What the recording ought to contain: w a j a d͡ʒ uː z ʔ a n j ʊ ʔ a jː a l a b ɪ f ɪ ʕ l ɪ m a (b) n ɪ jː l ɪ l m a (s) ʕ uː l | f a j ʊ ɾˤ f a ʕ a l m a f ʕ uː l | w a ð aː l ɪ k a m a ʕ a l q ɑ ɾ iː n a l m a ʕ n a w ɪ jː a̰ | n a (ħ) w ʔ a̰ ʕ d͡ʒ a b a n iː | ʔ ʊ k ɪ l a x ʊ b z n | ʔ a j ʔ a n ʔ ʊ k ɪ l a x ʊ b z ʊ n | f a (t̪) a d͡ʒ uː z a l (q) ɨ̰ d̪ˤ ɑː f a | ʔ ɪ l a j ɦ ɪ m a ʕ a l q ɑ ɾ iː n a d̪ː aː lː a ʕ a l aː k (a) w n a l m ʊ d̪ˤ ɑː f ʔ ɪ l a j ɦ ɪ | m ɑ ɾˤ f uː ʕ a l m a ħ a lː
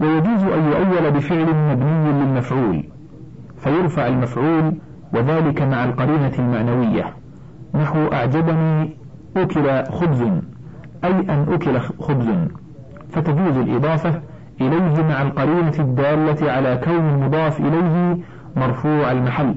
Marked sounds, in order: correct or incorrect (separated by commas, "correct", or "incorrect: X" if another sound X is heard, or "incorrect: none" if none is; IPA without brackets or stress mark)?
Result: correct, incorrect: f, correct, correct, incorrect: ʔ, correct